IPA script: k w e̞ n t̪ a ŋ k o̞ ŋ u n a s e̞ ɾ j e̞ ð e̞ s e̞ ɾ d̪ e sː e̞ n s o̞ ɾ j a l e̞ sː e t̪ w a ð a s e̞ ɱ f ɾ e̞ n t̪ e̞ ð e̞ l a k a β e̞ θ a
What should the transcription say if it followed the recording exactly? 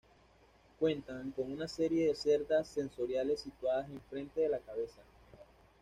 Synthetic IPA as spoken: k w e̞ n t̪ a ŋ k o̞ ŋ u n a s e̞ ɾ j e̞ ð e̞ s e̞ ɾ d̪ a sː e̞ n s o̞ ɾ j a l e̞ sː i t̪ w a ð a s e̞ ɱ f ɾ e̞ n t̪ e̞ ð e̞ l a k a β e̞ s a